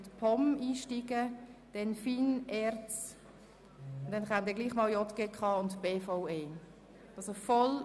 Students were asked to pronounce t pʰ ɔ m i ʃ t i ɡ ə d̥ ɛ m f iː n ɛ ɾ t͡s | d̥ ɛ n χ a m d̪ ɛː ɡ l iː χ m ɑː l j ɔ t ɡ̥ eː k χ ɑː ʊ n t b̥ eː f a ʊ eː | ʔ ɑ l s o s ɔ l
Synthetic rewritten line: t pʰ ɔ m iː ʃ t i ɡ ə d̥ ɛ n f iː n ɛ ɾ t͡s | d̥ ɛ n χ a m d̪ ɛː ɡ l iː χ m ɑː l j ɔ t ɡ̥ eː k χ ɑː ʊ n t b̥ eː f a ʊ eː | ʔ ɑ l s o f ɔ l